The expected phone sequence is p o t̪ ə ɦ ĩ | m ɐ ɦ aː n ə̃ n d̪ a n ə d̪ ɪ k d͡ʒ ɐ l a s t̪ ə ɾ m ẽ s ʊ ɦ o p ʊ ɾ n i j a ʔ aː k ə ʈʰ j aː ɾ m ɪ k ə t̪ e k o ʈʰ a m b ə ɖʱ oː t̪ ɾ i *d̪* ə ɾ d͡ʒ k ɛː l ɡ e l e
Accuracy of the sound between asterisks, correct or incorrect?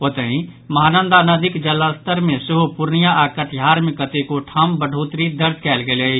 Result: correct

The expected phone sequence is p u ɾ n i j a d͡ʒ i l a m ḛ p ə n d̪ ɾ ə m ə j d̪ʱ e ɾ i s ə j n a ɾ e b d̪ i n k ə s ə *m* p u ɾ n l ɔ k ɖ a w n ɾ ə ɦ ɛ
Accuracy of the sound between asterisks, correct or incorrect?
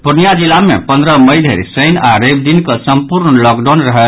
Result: correct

